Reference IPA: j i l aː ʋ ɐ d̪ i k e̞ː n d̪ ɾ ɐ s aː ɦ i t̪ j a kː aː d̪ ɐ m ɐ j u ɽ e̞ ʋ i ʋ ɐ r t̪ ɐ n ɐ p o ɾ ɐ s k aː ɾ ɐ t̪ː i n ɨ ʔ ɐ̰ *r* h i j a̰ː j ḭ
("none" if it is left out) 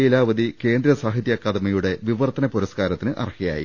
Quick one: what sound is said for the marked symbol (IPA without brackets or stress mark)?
r